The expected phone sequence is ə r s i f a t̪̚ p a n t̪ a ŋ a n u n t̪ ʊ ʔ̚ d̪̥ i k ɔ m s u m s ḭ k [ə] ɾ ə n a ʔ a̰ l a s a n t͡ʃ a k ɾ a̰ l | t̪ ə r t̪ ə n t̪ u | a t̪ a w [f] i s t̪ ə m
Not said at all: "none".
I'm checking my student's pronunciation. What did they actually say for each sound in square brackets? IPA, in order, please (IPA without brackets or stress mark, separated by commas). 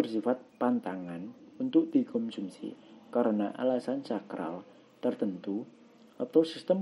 a, s